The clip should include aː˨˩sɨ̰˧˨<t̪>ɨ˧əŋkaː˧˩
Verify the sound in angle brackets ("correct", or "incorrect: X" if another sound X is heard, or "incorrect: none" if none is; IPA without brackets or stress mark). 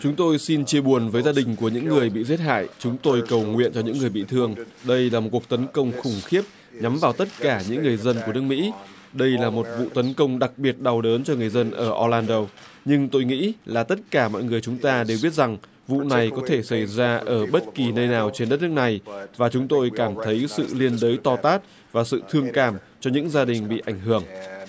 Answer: incorrect: t̪ʰ